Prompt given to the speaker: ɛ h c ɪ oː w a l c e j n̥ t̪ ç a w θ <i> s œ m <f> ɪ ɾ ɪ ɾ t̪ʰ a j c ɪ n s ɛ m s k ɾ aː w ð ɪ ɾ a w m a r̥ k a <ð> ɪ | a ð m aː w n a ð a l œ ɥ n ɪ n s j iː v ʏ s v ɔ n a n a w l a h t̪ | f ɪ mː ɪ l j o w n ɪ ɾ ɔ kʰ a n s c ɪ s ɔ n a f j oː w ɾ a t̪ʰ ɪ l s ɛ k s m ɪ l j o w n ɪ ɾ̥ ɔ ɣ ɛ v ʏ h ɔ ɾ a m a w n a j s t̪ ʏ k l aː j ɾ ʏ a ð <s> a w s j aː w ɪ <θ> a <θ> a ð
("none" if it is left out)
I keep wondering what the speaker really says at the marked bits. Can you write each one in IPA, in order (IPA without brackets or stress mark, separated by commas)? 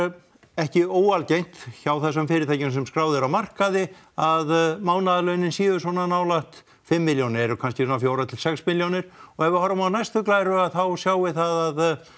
ɛ, f, ð, θ, θ, ð